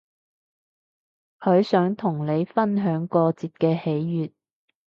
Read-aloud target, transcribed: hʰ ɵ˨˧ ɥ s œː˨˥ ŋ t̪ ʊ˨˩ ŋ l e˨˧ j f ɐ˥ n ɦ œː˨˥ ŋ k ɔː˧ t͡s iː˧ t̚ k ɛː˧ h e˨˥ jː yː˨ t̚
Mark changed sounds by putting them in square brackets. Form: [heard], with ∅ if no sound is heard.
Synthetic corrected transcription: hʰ ɵ˨˧ ɥ s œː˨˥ ŋ [t̪ʰ] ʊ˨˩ ŋ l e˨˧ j f ɐ˥ n ɦ œː˨˥ ŋ k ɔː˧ t͡s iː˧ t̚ k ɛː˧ h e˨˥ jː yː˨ t̚